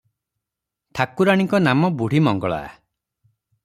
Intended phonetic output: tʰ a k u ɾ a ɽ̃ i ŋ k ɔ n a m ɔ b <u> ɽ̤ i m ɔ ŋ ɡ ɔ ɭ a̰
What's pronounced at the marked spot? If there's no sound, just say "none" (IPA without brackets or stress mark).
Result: u